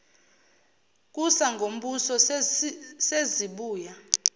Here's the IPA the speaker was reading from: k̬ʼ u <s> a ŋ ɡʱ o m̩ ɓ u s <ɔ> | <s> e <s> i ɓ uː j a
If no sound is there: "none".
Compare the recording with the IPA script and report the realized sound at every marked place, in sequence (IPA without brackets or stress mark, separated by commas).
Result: s, ɔ, s, z